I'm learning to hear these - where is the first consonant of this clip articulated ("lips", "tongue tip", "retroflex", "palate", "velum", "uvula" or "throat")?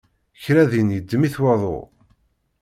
palate